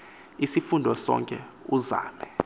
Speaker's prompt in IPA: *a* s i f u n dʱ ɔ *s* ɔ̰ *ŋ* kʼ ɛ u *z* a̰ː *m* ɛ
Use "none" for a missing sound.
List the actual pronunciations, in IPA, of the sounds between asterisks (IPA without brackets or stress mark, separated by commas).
i, s, ŋ, z, m